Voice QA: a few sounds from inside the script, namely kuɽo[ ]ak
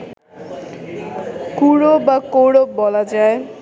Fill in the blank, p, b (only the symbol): b